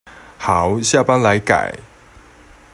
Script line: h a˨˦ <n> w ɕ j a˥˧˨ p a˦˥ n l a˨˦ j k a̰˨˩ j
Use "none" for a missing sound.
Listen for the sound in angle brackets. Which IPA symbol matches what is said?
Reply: none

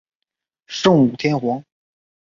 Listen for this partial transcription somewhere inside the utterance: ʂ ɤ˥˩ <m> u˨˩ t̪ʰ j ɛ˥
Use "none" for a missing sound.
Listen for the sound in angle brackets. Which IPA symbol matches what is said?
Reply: ŋ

